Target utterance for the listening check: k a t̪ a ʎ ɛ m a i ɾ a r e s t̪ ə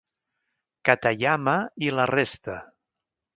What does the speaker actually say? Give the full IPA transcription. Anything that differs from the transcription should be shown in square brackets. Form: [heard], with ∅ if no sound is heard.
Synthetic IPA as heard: k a t̪ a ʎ [a] m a i [l] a r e s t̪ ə